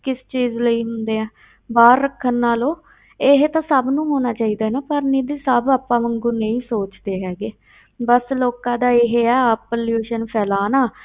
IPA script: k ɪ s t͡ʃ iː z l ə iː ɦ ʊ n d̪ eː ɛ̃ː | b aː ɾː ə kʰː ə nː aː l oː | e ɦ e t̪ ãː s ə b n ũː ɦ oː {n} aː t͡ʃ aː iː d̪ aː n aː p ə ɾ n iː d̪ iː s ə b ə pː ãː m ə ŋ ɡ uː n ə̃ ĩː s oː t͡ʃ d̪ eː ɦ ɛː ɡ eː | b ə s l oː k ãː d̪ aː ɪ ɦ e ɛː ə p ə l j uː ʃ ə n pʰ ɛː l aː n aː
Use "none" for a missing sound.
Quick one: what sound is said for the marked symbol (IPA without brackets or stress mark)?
n